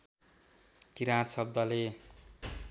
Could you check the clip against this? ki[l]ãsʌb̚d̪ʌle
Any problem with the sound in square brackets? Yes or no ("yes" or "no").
yes